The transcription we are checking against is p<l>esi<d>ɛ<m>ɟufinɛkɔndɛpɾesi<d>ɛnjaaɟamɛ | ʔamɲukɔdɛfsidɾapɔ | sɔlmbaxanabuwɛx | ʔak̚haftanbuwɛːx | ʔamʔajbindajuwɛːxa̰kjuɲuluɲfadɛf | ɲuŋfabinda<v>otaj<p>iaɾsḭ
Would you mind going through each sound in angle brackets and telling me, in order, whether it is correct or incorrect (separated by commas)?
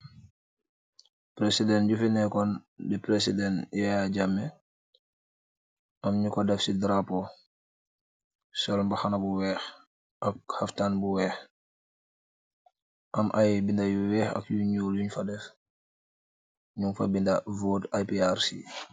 incorrect, correct, incorrect, correct, correct, correct